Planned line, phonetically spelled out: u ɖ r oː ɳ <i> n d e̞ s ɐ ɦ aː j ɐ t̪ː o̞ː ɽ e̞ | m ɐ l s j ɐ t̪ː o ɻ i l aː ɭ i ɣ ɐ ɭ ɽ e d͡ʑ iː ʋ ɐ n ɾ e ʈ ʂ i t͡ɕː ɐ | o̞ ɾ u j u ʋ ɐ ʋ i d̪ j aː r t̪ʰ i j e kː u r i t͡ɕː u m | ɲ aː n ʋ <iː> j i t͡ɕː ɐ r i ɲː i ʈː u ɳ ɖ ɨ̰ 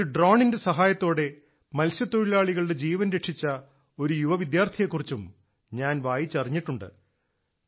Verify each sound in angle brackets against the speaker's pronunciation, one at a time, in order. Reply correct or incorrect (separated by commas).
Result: correct, incorrect